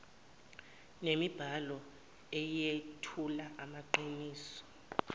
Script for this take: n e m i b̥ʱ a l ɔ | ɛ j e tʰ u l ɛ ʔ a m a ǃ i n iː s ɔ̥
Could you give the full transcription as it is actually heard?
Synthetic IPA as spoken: n e m i b̥ʱ a l ɔ | ɛ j e tʰ u l a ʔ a m a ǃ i n iː s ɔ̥